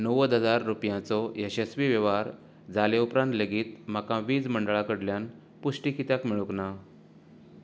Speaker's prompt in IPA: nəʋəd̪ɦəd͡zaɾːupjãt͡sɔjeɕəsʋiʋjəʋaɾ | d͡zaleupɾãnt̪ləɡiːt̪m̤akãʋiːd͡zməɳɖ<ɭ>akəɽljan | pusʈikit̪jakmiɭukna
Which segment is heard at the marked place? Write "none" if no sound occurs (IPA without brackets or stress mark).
ɭ